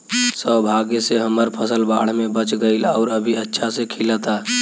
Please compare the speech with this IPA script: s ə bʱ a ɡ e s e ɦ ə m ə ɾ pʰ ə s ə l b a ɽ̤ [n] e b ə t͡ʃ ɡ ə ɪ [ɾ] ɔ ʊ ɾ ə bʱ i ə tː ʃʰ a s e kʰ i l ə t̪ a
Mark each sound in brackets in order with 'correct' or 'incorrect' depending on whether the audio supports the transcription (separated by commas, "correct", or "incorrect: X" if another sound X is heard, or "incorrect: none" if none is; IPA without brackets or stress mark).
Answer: incorrect: m, incorrect: l